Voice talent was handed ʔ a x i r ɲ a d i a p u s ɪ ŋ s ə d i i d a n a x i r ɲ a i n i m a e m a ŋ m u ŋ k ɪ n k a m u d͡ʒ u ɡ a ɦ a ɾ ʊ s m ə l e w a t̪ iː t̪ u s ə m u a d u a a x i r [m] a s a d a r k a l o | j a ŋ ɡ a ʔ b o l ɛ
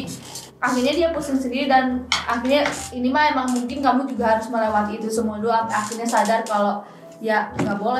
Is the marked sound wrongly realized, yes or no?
yes